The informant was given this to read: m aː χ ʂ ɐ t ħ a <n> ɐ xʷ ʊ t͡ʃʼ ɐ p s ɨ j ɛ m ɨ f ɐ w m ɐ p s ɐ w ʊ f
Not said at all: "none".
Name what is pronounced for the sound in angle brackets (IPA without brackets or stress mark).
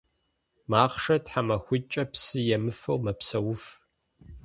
m